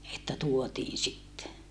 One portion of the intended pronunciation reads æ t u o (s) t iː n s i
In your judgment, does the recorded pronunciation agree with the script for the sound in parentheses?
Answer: no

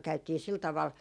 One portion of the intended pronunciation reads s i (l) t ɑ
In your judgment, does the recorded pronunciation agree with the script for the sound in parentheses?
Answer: yes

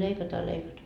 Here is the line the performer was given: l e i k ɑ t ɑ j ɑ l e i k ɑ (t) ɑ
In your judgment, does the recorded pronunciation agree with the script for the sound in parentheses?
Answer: yes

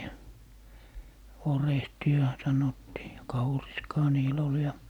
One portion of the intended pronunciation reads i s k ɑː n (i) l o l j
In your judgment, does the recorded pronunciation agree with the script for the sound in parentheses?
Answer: no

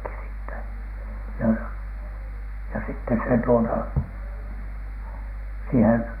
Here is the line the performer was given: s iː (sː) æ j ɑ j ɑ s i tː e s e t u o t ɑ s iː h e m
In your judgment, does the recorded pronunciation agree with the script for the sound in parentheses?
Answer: no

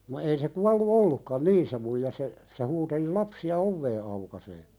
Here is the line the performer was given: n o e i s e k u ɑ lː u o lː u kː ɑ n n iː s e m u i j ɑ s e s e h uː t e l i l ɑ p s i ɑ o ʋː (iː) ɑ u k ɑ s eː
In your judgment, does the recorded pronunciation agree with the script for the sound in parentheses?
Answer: no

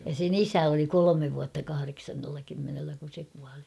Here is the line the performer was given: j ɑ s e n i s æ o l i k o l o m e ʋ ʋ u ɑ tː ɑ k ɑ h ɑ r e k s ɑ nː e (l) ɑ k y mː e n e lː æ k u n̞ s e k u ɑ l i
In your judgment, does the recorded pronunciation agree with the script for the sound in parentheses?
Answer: no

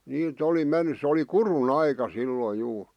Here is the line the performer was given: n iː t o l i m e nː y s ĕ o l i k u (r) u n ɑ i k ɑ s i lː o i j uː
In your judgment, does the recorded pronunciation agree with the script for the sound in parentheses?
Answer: yes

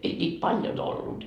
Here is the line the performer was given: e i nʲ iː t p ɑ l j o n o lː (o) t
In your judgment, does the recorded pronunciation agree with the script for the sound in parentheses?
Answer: no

